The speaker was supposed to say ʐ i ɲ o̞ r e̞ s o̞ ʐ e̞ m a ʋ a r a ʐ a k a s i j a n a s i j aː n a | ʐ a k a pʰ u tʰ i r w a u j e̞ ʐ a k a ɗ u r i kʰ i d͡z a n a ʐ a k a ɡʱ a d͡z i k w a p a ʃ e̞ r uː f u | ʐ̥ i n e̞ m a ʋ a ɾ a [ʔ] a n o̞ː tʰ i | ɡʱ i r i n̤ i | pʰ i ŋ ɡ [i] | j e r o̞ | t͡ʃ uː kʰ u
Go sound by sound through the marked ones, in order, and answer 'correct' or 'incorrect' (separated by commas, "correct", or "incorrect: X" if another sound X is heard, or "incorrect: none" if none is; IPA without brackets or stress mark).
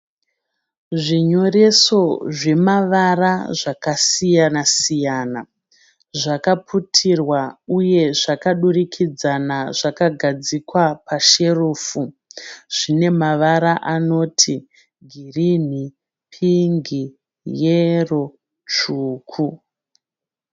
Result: correct, correct